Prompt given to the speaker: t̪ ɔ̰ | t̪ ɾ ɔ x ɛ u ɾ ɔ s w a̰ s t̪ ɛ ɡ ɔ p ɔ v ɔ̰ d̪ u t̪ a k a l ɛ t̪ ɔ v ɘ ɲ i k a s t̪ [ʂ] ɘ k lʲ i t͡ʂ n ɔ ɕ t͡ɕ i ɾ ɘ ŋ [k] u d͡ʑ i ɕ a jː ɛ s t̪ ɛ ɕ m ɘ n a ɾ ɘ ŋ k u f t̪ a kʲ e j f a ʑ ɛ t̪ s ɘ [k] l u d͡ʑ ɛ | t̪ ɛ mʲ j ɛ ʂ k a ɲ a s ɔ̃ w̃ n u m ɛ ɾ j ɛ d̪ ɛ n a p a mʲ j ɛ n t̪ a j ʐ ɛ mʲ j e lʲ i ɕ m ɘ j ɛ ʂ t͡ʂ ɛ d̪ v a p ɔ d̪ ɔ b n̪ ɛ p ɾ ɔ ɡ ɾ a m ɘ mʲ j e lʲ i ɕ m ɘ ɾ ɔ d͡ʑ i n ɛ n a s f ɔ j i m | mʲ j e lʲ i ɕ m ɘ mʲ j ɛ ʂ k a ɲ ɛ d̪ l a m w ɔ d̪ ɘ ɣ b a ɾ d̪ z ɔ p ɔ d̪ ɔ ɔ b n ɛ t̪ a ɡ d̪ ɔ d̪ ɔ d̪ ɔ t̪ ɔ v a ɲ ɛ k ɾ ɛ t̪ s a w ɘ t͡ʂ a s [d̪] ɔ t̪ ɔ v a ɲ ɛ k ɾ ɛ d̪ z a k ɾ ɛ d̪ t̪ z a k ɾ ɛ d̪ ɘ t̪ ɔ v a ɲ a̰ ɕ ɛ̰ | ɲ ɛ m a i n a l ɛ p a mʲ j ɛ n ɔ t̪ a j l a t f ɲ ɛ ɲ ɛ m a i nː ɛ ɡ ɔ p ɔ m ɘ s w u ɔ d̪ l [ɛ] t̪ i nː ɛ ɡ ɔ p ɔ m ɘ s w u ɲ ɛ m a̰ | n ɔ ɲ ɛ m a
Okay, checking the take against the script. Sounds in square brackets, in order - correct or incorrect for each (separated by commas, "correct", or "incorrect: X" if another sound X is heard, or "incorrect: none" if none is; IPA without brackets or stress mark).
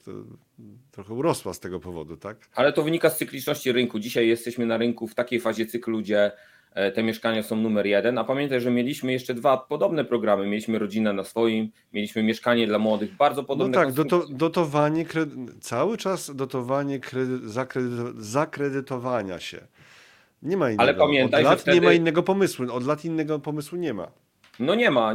incorrect: s, correct, correct, correct, incorrect: a